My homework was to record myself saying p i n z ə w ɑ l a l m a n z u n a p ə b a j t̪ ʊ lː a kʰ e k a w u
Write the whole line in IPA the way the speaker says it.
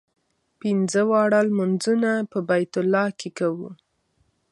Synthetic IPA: p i n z ə w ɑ ɽ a l m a n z u n a p ə b a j t̪ ʊ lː ɑ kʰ e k a w u